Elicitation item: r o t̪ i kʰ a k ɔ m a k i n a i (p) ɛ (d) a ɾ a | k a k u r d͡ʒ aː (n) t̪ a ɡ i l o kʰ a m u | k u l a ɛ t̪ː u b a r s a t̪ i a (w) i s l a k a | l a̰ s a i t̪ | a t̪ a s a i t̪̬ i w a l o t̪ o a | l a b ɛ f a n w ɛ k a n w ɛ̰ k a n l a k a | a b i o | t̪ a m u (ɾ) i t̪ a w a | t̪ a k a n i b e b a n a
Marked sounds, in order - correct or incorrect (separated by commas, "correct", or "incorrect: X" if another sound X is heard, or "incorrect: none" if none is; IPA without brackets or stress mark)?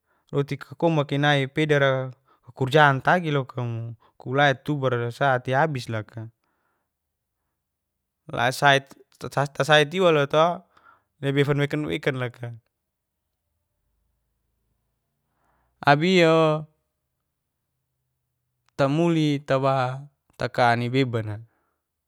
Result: correct, correct, correct, incorrect: b, incorrect: l